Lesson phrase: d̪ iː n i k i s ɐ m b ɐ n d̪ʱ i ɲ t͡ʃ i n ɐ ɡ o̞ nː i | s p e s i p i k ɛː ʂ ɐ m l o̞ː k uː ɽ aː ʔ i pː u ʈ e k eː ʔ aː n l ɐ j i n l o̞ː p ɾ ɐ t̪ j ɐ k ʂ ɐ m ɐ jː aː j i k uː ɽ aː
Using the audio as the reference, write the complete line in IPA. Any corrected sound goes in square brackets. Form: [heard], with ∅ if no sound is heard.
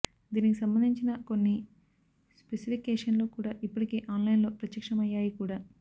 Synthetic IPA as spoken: d̪ iː n i k i s ɐ m b ɐ n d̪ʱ i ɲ t͡ʃ i n ɐ [k] o̞ nː i | s p e s i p i k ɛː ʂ ɐ [n] l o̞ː k uː ɽ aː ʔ i pː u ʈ [i] k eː ʔ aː n l ɐ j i n l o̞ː p ɾ ɐ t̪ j ɐ k ʂ ɐ m ɐ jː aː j i k uː ɽ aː